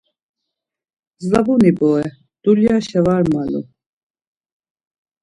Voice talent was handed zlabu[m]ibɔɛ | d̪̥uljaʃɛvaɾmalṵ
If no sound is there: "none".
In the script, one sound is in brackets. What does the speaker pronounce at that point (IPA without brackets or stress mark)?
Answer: n